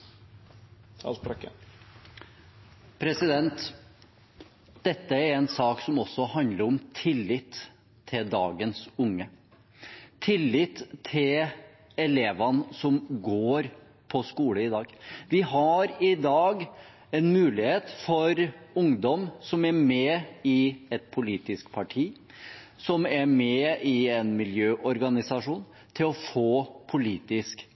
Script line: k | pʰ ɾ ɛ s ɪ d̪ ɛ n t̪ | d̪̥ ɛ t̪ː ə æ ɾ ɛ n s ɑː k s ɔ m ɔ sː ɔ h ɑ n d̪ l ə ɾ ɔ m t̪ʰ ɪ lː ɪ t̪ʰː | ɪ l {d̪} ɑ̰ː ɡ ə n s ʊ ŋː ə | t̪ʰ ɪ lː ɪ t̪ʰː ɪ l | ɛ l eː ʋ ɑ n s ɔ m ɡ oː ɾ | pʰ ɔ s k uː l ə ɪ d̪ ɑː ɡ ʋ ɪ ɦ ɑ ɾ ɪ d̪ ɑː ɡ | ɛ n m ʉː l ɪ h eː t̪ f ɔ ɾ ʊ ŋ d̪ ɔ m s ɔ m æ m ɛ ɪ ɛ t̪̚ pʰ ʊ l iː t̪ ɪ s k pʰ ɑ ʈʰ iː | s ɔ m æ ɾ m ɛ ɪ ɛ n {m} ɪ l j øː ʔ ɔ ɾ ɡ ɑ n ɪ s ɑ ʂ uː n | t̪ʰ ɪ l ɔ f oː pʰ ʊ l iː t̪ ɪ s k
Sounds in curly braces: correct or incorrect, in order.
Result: correct, correct

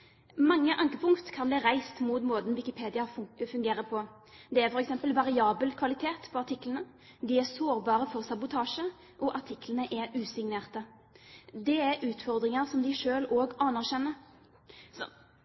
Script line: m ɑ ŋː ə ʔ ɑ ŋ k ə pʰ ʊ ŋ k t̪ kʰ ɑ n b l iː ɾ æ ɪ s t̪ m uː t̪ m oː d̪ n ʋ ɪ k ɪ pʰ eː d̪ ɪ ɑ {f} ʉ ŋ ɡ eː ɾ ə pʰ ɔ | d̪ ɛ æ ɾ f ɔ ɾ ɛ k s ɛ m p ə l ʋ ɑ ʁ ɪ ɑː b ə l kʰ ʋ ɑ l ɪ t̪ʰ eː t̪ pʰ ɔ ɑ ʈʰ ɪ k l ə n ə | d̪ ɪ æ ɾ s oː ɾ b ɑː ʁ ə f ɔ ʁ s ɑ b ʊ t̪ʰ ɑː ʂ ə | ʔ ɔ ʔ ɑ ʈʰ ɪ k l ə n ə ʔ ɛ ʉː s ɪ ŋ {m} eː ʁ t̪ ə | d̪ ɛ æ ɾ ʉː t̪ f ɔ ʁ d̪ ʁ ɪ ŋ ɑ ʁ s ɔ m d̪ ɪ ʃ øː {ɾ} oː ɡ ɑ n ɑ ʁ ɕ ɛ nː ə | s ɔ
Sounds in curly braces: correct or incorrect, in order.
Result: correct, incorrect, incorrect

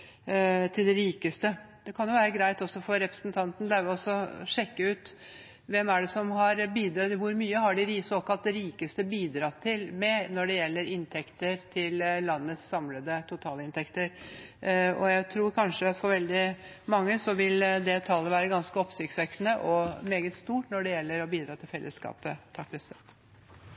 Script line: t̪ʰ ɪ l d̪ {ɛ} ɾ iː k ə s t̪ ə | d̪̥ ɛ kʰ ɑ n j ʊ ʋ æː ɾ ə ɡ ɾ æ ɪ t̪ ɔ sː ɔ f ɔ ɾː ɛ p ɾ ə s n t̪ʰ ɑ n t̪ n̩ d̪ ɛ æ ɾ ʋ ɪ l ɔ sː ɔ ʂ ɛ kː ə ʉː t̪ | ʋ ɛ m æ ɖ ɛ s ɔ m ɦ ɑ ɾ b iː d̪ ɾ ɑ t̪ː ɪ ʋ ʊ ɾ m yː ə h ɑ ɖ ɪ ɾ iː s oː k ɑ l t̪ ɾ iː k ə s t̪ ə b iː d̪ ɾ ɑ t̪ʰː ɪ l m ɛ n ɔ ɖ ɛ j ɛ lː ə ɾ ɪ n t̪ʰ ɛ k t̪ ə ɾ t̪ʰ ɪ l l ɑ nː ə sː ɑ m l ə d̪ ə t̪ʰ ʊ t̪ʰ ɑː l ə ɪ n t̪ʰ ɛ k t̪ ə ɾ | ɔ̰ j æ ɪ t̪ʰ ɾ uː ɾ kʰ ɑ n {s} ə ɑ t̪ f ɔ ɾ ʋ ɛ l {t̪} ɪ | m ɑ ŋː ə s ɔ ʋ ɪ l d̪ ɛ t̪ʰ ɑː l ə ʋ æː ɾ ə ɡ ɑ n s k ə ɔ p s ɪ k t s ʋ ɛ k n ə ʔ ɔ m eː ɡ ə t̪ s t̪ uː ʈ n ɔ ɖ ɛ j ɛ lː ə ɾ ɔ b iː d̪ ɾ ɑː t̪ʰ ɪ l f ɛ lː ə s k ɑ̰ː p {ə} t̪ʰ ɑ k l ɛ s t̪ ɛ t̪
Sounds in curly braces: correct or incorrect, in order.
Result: correct, incorrect, incorrect, correct

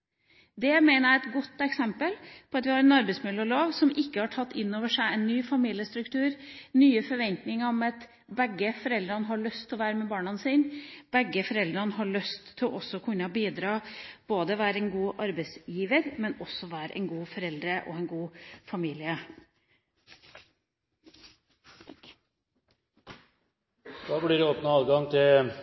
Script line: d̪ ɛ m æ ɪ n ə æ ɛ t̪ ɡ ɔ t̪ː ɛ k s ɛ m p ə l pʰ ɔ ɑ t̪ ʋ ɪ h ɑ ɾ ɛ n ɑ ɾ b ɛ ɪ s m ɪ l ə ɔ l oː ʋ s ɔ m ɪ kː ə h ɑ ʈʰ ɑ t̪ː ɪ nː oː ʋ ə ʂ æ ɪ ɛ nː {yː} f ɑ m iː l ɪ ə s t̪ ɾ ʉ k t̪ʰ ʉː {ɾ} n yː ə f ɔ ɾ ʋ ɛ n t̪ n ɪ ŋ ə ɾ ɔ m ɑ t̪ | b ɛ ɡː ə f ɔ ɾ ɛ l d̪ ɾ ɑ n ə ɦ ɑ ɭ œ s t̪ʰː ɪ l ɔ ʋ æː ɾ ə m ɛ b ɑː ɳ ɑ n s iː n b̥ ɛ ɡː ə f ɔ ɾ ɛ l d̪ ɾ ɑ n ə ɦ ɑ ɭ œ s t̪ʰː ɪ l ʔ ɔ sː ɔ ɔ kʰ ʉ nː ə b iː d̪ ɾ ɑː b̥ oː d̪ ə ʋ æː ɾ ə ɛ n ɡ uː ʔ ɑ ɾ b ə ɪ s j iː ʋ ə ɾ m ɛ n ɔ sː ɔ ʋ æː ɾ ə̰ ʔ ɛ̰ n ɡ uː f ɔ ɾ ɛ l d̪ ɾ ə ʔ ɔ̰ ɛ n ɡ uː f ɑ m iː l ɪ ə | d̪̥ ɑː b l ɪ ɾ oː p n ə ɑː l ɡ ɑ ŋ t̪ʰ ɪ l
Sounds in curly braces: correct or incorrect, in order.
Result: correct, correct

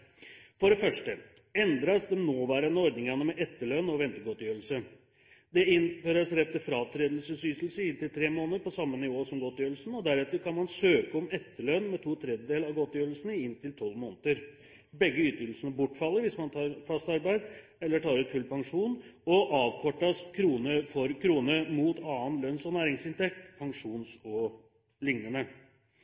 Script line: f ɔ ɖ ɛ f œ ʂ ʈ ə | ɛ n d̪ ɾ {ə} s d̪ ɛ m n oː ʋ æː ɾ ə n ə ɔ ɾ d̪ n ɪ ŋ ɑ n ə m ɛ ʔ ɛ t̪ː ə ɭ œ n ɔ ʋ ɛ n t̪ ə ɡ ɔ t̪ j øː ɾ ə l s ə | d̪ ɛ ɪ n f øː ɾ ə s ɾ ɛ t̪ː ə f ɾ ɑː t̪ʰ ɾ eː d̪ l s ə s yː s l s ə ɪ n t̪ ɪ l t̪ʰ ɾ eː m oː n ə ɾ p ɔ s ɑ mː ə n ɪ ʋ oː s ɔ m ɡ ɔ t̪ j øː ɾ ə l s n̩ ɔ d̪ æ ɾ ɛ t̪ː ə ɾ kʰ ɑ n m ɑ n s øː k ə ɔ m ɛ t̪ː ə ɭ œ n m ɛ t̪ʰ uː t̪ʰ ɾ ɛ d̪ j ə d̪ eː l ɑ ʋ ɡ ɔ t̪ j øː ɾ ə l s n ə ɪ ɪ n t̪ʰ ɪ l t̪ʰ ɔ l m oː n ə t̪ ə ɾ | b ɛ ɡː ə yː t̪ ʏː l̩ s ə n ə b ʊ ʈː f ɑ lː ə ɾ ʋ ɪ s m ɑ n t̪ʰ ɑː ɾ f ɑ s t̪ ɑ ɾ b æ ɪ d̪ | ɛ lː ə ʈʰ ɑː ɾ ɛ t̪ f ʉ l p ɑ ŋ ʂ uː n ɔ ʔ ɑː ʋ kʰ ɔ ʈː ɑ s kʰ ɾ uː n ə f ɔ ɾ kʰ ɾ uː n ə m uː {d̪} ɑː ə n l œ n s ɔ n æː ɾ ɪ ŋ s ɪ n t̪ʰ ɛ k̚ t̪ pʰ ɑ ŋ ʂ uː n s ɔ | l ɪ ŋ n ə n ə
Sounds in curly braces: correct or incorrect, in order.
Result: incorrect, incorrect

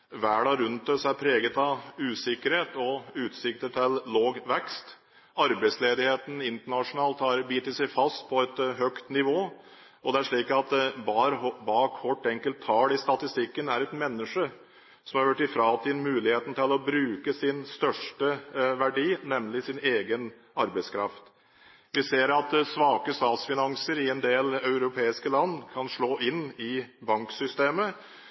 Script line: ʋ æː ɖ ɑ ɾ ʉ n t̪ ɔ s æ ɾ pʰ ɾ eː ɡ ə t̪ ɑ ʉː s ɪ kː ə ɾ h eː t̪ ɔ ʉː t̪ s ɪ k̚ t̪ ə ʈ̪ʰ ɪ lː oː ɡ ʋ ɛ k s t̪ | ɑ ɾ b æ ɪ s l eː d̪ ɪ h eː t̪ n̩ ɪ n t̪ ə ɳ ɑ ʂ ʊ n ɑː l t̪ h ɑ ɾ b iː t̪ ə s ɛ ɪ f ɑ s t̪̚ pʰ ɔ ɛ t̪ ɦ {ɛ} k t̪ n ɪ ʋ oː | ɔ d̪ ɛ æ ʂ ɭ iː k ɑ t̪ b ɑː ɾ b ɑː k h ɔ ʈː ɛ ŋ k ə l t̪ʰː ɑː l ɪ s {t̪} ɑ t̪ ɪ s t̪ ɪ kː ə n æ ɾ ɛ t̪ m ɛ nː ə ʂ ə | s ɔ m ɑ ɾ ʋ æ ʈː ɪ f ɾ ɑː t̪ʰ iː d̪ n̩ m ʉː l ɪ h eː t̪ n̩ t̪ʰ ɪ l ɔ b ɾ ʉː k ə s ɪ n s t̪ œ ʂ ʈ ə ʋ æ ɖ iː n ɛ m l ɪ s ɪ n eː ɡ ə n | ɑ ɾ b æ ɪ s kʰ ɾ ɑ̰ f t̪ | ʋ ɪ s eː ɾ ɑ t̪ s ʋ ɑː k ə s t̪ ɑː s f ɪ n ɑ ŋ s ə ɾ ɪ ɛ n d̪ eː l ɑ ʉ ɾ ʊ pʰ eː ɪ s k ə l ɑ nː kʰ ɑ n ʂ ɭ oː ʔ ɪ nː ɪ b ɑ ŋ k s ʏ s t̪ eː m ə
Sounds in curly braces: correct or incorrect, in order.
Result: incorrect, correct

